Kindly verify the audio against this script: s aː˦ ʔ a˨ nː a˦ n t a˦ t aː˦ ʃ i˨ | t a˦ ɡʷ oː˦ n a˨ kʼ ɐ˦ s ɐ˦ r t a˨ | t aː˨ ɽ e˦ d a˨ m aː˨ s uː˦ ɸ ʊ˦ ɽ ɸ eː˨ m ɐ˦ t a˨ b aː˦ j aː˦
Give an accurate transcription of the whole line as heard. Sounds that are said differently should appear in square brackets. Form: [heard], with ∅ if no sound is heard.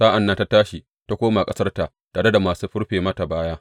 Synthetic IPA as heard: s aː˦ ʔ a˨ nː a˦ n t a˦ t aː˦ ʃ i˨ | t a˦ [kʷ] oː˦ [m] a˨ kʼ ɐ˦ s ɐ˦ r t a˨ | t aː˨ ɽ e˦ d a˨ m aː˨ s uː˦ ɸ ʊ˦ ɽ ɸ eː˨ m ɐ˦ t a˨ b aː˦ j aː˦